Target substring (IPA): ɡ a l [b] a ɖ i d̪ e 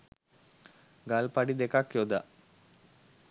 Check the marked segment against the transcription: incorrect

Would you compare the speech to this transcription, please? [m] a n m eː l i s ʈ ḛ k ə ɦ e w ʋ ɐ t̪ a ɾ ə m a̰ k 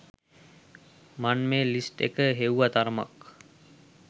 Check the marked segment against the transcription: correct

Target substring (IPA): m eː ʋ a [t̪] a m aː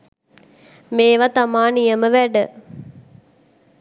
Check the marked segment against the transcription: correct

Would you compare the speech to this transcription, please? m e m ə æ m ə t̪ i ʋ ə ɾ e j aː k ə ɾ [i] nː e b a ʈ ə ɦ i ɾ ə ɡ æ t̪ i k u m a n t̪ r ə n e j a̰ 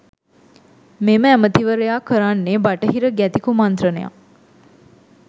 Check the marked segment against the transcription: incorrect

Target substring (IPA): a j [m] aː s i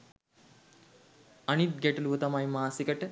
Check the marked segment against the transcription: correct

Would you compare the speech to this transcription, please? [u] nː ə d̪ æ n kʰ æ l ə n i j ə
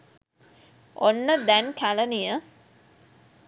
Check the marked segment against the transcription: incorrect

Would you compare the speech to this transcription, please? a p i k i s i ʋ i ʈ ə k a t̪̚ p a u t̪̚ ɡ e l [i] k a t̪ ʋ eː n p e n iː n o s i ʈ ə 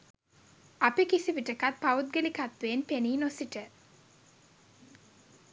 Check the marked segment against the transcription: correct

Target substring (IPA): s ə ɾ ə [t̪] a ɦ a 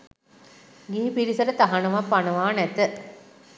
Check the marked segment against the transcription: correct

